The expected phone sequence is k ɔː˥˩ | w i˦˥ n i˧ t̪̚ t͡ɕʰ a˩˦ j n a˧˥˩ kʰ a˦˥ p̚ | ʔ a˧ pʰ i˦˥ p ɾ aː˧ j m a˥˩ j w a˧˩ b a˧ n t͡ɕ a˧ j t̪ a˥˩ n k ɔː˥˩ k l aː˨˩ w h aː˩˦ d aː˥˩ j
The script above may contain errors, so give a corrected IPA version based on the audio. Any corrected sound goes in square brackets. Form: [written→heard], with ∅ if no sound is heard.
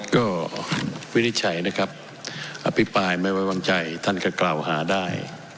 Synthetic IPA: k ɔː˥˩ | w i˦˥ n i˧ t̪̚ t͡ɕʰ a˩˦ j n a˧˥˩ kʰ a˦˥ p̚ | ʔ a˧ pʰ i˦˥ p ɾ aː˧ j m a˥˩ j w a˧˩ [b→w] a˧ [n→ŋ] t͡ɕ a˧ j [t̪→t̪ʰ] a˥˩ n k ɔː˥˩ k l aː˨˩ w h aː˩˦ d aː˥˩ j